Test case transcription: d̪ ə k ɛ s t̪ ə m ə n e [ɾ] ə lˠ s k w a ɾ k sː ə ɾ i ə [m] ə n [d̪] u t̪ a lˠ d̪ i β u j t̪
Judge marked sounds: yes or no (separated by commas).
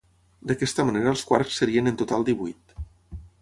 yes, no, no